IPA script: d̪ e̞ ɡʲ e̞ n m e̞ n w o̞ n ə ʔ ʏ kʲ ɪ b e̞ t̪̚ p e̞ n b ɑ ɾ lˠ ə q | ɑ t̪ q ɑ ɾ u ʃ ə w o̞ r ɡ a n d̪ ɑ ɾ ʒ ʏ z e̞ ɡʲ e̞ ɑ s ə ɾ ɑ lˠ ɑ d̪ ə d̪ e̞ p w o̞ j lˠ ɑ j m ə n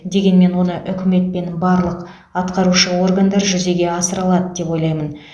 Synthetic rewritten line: d̪ e̞ ɡʲ e̞ n m e̞ n w o̞ n ə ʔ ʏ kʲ ɪ m e̞ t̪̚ p e̞ n b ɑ ɾ lˠ ə q | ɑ t̪ q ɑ ɾ u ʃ ə w o̞ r ɡ a n d̪ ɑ ɾ ʒ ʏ z e̞ ɡʲ e̞ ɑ s ə ɾ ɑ lˠ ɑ d̪ ə d̪ e̞ p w o̞ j lˠ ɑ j m ə n